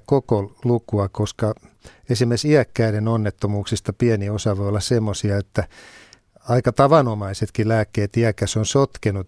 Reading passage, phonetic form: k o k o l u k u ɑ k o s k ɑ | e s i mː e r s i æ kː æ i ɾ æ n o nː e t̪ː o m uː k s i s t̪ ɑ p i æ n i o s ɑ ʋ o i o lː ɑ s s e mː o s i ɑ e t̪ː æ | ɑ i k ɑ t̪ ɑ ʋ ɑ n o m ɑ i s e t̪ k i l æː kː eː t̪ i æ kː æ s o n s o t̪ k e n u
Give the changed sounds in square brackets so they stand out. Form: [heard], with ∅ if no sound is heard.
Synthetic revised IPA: k o k o l u k u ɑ k o s k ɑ | e s i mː e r s i æ kː æ i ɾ [e] n o nː e t̪ː o m uː k s i s t̪ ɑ p i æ n i o s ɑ ʋ o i o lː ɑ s s e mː o s i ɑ e t̪ː æ | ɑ i k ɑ t̪ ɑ ʋ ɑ n o m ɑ i s e t̪ k i l æː kː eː t̪ i æ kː æ s o n s o t̪ k e n u